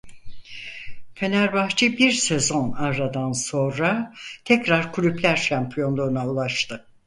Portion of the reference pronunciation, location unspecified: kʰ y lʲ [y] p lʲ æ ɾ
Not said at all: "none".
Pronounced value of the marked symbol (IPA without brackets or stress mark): y